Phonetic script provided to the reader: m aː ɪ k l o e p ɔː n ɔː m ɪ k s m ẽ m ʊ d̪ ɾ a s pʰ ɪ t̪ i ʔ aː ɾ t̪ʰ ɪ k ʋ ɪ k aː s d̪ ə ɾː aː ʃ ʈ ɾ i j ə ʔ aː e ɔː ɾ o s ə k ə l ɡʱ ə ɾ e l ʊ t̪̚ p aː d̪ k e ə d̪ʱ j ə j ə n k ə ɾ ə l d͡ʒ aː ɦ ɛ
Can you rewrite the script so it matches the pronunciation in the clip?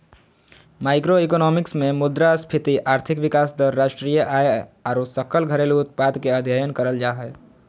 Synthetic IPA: m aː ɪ k ɾ o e k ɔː n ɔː m ɪ k s m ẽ m ʊ d̪ ɾ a s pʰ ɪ t̪ i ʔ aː ɾ t̪ʰ ɪ k ʋ ɪ k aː s d̪ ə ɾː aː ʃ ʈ ɾ i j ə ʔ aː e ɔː ɾ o s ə k ə l ɡʱ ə ɾ e l ʊ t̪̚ p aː d̪ k e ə d̪ʱ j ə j ə n k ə ɾ ə l d͡ʒ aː ɦ ɛ

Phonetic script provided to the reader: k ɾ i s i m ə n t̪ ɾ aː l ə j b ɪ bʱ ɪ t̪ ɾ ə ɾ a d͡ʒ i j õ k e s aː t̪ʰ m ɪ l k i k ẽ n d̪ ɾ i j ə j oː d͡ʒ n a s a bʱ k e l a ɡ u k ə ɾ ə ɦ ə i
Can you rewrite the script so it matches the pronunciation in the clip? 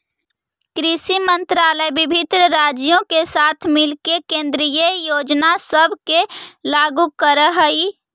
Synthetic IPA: k ɾ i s i m ə n t̪ ɾ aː l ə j b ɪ bʱ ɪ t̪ ɾ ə ɾ a d͡ʒ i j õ k e s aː t̪ʰ m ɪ l k e k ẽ n d̪ ɾ i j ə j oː d͡ʒ n a s ə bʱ k e l a ɡ u k ə ɾ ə ɦ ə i

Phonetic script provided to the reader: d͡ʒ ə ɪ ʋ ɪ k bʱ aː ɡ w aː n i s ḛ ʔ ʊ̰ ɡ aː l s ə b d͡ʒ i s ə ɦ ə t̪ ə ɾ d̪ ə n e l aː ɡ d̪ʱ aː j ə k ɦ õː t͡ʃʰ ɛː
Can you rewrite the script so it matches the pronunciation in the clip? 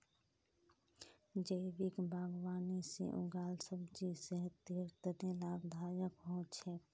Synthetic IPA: d͡ʒ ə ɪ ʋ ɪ k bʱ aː ɡ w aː n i s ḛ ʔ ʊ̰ ɡ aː l s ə b d͡ʒ i s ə ɦ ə t̪ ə ɾ t̪ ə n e l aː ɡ d̪ʱ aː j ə k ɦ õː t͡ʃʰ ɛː

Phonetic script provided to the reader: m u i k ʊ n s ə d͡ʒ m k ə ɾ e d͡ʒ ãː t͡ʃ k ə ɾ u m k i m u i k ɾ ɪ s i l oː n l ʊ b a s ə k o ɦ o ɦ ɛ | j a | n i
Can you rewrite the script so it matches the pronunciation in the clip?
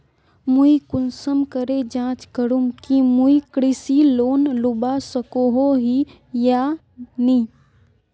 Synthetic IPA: m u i k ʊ n s ə m k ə ɾ e d͡ʒ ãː t͡ʃ k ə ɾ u m k i m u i k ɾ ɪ s i l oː n l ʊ b a s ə k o ɦ o ɦ i | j a | n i

